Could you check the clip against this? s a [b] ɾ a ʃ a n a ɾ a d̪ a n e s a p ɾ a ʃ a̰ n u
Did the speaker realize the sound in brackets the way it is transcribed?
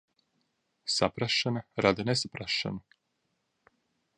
no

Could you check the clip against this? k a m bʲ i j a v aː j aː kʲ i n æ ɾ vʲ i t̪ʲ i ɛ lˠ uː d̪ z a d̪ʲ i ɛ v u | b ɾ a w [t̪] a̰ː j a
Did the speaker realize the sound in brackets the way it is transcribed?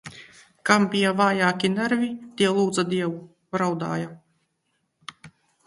no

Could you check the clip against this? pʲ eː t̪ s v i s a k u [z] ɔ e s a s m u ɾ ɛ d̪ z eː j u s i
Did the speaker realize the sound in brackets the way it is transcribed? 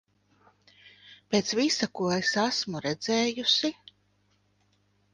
no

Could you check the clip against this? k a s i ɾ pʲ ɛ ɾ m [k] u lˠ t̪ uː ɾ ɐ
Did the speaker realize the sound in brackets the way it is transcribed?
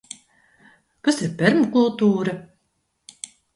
yes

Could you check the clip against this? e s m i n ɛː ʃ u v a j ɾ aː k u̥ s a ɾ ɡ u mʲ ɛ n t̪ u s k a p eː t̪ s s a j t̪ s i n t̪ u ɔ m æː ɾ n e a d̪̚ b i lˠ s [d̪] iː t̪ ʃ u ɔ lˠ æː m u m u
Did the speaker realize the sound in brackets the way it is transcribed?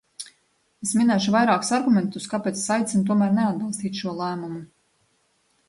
no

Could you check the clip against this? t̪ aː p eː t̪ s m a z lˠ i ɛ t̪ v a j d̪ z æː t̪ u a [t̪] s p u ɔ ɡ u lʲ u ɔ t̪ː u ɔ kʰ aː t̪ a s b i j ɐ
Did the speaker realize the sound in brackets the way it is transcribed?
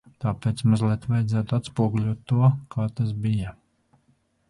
yes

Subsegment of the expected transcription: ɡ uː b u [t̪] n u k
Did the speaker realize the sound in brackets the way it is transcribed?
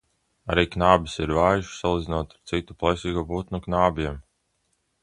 yes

